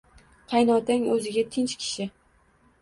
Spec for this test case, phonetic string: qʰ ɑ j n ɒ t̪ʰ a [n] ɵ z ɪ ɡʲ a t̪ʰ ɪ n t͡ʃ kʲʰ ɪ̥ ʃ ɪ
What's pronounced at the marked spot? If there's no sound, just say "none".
ŋ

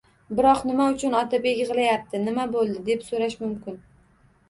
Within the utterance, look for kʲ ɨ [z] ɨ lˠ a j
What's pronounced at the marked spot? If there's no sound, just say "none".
ʁ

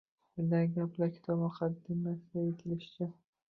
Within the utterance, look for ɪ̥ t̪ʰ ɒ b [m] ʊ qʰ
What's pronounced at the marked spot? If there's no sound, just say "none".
m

